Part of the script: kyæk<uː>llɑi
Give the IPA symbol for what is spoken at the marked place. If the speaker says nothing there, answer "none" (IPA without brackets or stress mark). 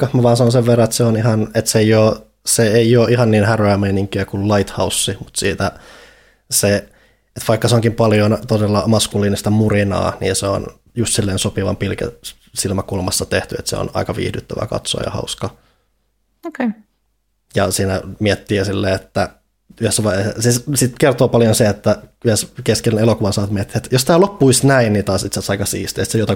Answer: u